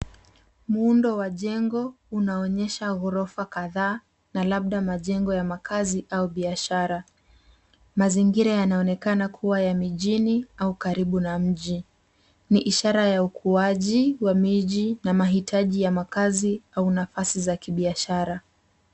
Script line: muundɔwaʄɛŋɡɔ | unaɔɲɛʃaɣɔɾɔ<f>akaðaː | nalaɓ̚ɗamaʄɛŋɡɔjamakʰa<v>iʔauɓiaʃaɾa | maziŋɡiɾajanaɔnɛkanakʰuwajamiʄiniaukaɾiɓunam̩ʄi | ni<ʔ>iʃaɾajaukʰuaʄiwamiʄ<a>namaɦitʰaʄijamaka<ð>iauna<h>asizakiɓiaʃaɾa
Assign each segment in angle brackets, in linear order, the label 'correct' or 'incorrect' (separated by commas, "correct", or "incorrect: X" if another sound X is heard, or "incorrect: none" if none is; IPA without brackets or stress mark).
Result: correct, incorrect: z, correct, incorrect: i, incorrect: z, incorrect: f